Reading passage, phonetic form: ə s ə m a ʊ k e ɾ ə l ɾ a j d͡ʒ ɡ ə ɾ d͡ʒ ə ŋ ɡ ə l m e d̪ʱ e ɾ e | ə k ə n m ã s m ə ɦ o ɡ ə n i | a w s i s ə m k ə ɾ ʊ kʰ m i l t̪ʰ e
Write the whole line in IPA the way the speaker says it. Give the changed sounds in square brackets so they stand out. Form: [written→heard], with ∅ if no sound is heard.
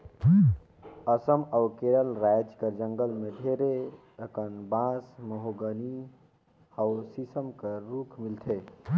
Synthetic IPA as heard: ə s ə m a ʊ k e ɾ ə l ɾ a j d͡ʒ [ɡ→k] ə ɾ d͡ʒ ə ŋ ɡ ə l m e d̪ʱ e ɾ e | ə k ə n [m→b] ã s m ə ɦ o ɡ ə n i | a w s i s ə m k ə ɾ [ʊ→u] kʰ m i l t̪ʰ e